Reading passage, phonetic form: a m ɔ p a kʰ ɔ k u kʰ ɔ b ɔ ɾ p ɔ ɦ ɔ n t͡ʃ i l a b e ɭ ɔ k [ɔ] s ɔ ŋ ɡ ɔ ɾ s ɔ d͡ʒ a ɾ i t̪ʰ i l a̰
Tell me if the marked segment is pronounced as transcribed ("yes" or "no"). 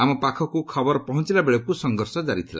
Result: no